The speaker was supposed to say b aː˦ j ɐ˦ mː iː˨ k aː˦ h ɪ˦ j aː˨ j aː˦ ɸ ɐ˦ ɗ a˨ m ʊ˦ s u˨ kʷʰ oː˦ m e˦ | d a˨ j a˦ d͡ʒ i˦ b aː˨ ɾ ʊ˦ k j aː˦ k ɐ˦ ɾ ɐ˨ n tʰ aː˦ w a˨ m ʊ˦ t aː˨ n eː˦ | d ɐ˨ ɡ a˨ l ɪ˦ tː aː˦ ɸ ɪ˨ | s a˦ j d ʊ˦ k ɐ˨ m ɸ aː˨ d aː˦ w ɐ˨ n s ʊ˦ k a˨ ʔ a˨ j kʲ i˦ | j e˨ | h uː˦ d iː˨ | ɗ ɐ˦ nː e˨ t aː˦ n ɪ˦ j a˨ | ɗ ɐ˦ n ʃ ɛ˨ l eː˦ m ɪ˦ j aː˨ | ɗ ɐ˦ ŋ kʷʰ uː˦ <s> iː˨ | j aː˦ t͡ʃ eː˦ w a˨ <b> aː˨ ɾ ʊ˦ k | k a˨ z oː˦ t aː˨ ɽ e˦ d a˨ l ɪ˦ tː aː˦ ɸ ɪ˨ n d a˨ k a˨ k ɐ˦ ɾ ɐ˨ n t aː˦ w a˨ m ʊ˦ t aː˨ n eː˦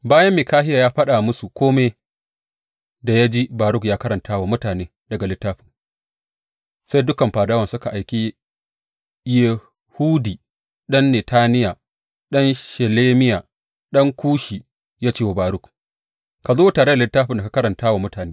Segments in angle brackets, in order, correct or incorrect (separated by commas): incorrect, correct